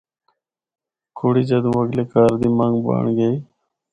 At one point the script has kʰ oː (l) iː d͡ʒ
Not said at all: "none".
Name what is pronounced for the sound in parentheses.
ɽ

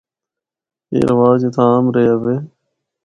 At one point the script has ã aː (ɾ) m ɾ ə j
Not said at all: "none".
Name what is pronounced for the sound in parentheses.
none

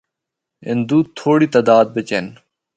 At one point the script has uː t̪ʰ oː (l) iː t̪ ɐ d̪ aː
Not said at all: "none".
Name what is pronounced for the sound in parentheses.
ɽ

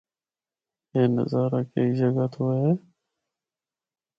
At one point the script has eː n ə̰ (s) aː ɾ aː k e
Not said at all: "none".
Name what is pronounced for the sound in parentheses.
z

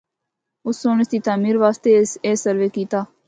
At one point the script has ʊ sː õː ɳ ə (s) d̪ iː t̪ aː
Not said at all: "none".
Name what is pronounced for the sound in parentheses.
s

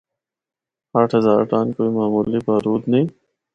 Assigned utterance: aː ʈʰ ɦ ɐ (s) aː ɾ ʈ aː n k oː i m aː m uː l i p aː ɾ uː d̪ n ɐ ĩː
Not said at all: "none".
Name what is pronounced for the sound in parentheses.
z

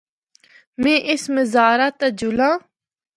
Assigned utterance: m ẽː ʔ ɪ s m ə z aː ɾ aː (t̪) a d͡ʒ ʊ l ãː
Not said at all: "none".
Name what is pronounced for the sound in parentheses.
t̪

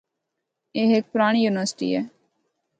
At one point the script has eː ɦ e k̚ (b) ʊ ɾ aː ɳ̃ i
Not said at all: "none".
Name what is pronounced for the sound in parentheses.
p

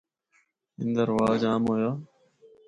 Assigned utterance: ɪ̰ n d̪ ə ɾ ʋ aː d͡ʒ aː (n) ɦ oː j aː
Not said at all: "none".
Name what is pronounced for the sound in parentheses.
m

